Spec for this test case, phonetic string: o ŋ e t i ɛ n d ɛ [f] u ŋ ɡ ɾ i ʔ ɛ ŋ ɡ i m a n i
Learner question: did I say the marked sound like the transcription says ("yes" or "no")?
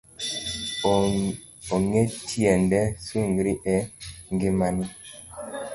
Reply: no